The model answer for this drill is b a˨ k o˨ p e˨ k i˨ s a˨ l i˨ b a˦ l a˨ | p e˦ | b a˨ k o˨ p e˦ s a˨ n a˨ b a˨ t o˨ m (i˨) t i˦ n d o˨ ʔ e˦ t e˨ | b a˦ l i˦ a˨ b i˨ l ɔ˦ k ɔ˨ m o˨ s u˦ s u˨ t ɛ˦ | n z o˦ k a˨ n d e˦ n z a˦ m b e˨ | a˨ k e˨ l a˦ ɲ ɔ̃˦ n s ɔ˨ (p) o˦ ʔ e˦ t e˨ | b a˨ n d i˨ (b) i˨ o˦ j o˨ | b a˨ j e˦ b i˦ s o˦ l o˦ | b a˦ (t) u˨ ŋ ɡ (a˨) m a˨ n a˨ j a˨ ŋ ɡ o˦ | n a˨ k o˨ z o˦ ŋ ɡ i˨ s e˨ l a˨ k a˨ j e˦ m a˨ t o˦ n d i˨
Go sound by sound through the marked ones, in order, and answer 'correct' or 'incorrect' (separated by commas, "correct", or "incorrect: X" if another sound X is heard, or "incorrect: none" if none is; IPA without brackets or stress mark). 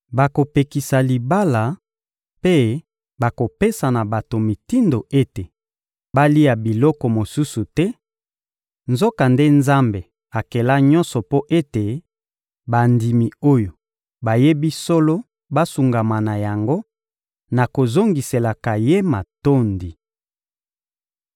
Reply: correct, correct, incorrect: m, incorrect: s, correct